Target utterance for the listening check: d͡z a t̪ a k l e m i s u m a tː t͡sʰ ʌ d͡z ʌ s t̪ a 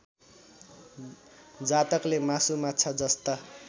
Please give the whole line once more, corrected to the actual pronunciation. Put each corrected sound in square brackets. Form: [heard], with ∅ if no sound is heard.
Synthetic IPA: d͡z a t̪ [ʌ] k l e m [a] s u m a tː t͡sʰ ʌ d͡z ʌ s t̪ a